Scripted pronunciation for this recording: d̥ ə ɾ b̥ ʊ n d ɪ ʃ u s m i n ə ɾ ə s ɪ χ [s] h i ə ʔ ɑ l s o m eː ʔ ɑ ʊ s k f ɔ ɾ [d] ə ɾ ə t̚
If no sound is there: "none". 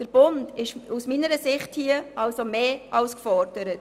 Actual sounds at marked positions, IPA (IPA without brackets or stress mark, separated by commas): t, d